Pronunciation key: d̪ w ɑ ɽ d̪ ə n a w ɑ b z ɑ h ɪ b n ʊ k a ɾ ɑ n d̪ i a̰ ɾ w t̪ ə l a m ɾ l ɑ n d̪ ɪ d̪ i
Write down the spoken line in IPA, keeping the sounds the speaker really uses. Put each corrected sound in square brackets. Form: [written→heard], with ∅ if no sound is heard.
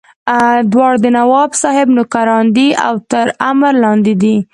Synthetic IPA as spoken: d̪ w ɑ ɽ d̪ ə n a w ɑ b [z→s] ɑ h ɪ b n ʊ k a ɾ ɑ n d̪ i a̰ [ɾ→∅] w t̪ ə [l→ɾ] a m ɾ l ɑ n d̪ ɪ d̪ i

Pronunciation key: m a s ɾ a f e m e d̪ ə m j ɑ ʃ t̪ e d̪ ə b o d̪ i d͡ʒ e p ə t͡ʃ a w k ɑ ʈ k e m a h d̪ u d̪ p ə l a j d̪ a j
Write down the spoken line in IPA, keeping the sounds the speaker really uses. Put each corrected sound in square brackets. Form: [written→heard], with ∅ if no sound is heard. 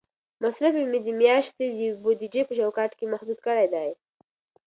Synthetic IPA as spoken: m a s ɾ a f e m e d̪ ə m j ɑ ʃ t̪ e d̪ ə b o d̪ i d͡ʒ e p ə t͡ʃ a w k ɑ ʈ k e m a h d̪ u d̪ [p→k] ə [l→ɽ] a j d̪ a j

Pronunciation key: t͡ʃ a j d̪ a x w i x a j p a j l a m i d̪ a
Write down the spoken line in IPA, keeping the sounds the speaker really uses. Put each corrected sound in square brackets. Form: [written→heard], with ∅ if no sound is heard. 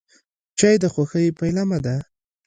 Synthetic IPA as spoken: t͡ʃ a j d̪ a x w [i→a] x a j p a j l a m [i→a] d̪ a

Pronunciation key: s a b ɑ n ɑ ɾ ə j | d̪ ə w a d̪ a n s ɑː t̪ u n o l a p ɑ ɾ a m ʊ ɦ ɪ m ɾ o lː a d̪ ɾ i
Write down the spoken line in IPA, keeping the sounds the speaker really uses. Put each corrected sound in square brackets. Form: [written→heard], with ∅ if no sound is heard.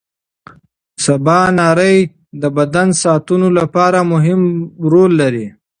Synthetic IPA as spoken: s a b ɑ n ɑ ɾ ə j | d̪ ə [w→b] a d̪ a n s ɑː t̪ u n o l a p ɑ ɾ a m ʊ ɦ ɪ m ɾ o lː a [d̪→∅] ɾ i

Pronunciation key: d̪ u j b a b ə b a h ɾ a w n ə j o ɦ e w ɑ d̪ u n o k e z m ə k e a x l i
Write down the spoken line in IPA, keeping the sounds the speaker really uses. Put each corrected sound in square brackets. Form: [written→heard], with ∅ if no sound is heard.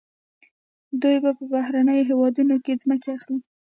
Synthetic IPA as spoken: d̪ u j b a [b→p] ə b a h ɾ a [w→∅] n ə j o ɦ e w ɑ d̪ u n o k e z m ə k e a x l i

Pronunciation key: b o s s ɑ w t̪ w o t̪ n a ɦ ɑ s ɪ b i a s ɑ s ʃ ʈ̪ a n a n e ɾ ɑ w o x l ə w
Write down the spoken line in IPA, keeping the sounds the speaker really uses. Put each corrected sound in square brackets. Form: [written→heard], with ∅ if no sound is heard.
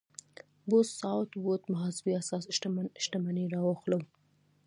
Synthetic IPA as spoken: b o s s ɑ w t̪ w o t̪ [n→m] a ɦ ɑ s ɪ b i a s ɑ s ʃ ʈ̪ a [n→m] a n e ɾ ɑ w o x l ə w

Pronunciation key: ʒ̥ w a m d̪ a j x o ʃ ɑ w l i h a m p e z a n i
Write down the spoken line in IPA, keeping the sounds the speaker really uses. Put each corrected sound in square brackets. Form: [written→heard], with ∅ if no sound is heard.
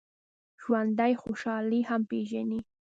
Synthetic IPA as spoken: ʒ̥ w a [m→n] d̪ a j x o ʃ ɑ [w→∅] l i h a m p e [z→ʒ] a n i

